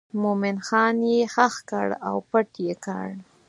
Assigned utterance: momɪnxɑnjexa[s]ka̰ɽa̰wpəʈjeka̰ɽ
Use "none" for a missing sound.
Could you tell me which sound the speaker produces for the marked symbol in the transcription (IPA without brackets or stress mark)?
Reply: x